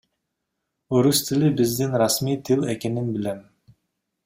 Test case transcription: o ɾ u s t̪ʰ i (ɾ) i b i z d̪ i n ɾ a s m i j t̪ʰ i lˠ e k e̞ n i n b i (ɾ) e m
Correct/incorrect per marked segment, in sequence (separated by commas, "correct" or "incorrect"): incorrect, incorrect